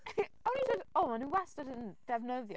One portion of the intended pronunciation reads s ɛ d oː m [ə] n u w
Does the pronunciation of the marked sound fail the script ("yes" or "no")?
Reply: yes